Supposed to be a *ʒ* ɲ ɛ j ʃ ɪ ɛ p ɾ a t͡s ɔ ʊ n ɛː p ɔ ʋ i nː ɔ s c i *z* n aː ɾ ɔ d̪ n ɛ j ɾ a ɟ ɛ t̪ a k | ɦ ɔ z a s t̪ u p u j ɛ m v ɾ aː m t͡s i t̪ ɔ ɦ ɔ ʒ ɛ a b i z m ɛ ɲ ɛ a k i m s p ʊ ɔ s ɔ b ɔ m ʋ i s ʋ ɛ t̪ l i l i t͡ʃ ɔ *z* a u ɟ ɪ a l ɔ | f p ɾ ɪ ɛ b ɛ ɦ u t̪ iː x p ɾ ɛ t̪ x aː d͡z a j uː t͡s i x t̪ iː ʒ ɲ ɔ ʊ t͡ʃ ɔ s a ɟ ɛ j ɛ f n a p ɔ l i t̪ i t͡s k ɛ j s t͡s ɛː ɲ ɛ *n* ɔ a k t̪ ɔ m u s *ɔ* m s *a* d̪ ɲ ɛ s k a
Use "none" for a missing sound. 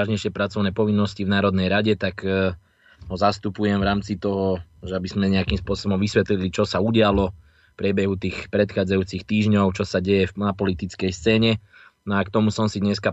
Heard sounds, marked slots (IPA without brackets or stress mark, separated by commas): ʒ, v, s, n, ɔ, i